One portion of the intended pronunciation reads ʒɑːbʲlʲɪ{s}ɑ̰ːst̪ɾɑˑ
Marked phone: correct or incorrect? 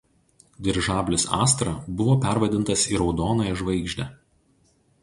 correct